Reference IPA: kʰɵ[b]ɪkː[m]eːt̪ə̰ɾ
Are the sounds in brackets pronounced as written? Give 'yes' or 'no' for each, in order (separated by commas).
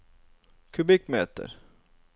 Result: yes, yes